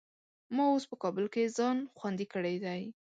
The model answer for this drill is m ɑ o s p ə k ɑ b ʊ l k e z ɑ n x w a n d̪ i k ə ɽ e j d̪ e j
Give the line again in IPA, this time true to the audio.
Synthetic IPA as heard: m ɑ o s p ə k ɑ b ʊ l k e z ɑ n x w a n d̪ i k ə ɽ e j d̪ a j